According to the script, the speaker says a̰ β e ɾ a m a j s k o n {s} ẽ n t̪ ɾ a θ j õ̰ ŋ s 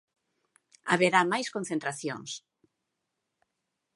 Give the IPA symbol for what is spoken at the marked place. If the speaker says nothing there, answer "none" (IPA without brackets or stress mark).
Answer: θ